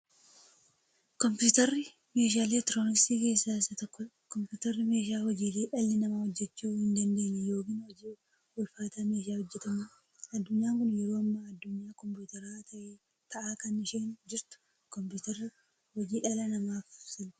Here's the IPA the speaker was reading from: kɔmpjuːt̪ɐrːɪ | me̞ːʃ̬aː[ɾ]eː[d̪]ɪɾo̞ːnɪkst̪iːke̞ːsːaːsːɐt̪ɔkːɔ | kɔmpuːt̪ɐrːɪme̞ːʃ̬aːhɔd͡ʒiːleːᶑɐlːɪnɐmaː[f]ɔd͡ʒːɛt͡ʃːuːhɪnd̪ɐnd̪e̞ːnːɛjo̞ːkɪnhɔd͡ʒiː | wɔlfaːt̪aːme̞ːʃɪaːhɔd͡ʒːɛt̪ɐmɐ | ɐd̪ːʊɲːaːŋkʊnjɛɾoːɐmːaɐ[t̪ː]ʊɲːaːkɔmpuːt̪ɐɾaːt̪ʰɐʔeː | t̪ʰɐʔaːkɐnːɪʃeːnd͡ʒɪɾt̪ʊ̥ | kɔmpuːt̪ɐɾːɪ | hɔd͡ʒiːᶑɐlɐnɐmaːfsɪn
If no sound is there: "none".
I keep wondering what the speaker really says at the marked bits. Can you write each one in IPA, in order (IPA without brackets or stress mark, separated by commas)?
l, t̪, h, d̪ː